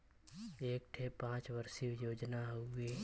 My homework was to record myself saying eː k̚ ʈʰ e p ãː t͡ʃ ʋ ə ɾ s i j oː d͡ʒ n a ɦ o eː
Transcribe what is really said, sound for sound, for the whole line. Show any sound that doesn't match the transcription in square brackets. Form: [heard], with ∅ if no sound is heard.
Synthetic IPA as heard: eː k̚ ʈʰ e p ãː t͡ʃ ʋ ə ɾ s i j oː d͡ʒ n a ɦ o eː